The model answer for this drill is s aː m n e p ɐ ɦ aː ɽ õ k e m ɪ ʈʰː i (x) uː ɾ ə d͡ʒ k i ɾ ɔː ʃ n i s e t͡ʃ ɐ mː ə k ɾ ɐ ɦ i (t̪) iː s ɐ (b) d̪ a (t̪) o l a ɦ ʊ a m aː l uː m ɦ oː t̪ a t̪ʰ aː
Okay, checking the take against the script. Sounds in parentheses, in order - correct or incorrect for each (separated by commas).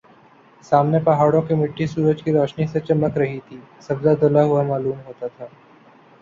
incorrect, incorrect, correct, incorrect